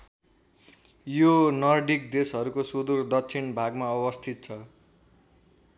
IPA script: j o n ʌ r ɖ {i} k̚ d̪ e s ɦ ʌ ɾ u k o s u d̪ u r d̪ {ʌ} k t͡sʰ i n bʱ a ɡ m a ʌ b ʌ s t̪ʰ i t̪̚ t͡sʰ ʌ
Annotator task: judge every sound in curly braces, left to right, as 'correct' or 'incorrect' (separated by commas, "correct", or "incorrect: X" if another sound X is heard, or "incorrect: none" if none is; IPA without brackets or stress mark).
correct, correct